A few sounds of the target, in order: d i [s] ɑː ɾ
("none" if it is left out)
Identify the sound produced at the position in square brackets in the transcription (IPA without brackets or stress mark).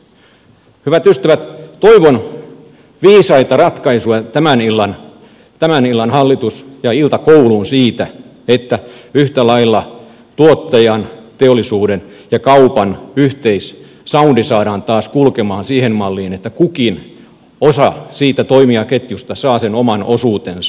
s